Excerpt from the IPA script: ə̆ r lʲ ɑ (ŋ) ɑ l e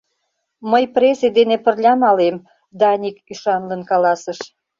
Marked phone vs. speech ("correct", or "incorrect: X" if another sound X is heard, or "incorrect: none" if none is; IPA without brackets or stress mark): incorrect: m